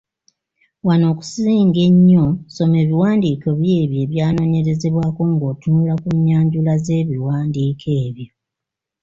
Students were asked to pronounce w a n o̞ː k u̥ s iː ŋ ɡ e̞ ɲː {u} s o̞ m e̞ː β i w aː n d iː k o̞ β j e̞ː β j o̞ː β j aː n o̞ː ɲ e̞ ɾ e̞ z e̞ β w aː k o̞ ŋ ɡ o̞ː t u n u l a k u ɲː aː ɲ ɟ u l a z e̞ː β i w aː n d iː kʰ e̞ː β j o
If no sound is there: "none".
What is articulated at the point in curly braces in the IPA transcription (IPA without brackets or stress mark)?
o